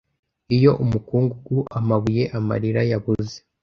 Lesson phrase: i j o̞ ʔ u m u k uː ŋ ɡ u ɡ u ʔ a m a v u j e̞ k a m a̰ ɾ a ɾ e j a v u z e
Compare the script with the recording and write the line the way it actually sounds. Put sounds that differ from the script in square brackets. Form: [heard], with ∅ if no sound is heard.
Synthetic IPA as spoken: i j o̞ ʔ u m u k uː ŋ ɡ u ɡ u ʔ a m a [β] u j e̞ [ʔ] a m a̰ ɾ [i] ɾ [a] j a [β] u z e